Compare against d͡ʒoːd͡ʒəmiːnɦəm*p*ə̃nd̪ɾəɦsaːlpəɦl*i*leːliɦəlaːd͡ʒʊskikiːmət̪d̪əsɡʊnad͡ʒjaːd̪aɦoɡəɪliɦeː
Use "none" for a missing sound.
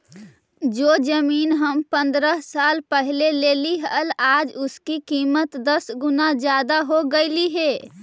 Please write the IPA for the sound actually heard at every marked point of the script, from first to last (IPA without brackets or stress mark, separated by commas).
p, e